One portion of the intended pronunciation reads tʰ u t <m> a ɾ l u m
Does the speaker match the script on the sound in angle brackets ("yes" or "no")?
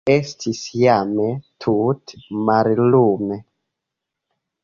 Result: yes